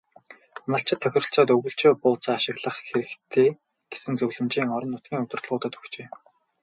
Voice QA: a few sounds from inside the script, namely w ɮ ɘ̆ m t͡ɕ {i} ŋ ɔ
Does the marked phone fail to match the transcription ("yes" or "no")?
yes